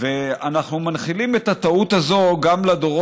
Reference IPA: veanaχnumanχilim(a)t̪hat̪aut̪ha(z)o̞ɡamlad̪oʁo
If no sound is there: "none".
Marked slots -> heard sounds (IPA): e, z

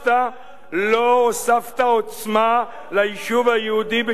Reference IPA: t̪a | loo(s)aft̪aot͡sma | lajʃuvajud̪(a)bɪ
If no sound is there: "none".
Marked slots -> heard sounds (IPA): s, i

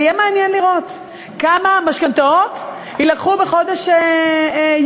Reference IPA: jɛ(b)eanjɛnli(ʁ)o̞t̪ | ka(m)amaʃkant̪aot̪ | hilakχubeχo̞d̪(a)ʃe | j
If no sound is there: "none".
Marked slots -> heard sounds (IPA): m, ʁ, m, e

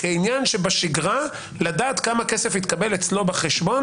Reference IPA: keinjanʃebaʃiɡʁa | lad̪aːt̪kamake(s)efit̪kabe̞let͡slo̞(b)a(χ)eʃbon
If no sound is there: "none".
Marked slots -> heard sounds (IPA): s, b, χ

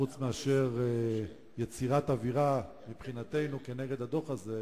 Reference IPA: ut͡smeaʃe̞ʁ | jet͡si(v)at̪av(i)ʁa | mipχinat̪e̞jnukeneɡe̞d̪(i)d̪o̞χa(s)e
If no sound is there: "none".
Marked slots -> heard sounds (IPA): ʁ, i, a, z

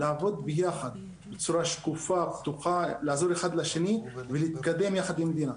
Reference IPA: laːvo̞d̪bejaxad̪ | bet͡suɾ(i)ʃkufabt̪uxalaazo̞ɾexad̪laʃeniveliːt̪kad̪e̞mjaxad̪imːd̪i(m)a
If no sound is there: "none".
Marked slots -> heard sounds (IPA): a, n

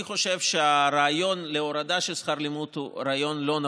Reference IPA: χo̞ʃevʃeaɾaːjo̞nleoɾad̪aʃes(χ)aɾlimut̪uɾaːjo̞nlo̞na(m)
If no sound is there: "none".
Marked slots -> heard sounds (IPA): χ, none

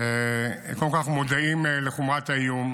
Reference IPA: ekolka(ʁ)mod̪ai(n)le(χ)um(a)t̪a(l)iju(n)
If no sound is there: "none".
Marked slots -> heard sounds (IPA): χ, m, χ, a, none, m

